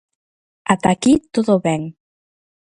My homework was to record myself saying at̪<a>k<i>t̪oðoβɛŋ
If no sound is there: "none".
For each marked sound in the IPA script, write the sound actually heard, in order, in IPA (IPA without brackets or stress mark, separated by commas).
a, i